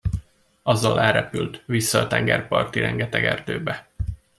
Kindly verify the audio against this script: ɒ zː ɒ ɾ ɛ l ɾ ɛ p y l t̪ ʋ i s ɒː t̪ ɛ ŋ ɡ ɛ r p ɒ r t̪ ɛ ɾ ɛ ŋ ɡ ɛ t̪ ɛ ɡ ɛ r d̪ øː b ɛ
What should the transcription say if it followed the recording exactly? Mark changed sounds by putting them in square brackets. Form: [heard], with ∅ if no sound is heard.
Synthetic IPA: ɒ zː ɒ [l] ɛ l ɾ ɛ p y l t̪ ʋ i [sː] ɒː t̪ ɛ ŋ ɡ ɛ r p ɒ r t̪ [i] ɾ ɛ ŋ ɡ ɛ t̪ ɛ ɡ ɛ r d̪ øː b ɛ